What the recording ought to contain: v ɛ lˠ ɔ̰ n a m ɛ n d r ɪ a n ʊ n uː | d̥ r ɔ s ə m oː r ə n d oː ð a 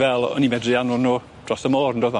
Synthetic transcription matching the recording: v ɛ lˠ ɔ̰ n i m ɛ d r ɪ a n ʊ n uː | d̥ r ɔ s ə m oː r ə n d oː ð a